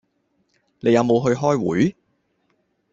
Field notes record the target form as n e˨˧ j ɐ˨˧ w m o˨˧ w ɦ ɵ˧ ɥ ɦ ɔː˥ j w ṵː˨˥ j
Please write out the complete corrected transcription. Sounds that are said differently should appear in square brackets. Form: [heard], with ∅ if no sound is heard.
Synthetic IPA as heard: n e˨˧ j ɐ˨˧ w m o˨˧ w ɦ ɵ˧ ɥ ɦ ɔː˥ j w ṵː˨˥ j